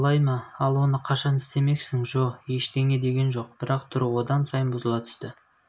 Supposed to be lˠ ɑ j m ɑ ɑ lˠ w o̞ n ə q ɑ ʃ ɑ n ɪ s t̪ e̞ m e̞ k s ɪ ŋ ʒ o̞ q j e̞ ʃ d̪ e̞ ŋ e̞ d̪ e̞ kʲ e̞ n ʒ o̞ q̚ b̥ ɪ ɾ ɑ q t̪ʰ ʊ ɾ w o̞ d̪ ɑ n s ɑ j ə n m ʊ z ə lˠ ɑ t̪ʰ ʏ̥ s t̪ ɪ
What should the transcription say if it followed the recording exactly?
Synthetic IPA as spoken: lˠ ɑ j m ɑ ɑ lˠ w o̞ n ə qʰ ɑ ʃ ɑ n ɪ s t̪ e̞ m e̞ k s ɪ ŋ ʒ o̞ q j e̞ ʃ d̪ e̞ ŋ e̞ d̪ e̞ ɡʲ e̞ n ʒ o̞ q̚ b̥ ɪ ɾ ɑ q t̪ʰ ʊ ɾ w o̞ d̪ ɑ n s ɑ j ə n b ʊ z ə lˠ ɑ t̪ʰ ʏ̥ s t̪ ɪ